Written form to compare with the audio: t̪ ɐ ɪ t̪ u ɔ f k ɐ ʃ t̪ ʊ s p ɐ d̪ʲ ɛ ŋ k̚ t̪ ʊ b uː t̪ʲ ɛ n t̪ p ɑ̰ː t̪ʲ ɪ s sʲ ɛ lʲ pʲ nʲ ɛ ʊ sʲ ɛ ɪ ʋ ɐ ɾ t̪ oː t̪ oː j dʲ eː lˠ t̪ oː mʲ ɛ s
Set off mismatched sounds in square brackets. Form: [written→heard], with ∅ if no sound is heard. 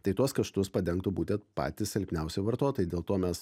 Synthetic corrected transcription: t̪ ɐ ɪ t̪ u ɔ [f→s] k ɐ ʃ t̪ ʊ s p ɐ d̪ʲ ɛ ŋ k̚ t̪ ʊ b uː t̪ʲ ɛ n t̪ p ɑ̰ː t̪ʲ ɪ s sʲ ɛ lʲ pʲ nʲ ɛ ʊ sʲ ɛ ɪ ʋ ɐ ɾ t̪ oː t̪ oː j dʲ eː lˠ t̪ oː mʲ ɛ s